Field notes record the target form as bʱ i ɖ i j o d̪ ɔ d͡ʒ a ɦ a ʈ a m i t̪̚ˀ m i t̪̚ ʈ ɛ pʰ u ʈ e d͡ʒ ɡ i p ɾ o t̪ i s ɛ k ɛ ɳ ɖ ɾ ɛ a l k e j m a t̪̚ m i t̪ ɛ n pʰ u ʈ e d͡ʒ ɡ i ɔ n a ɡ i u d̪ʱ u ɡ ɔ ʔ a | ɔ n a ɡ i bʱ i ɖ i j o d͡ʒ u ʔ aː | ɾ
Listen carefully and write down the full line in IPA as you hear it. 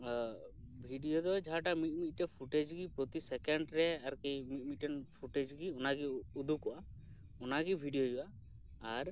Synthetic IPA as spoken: bʱ i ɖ i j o d̪ ɔ d͡ʒ a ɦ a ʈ a m i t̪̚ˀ m i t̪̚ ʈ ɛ pʰ u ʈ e d͡ʒ ɡ i p ɾ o t̪ i s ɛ k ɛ ɳ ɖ ɾ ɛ a ɾ k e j m i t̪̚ m i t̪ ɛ n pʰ u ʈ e d͡ʒ ɡ i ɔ n a ɡ i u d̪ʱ u k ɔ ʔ a | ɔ n a ɡ i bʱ i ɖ i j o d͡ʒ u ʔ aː | ɾ